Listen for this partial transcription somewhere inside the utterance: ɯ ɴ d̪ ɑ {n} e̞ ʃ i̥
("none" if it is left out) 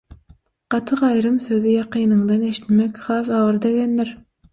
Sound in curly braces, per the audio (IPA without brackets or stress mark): n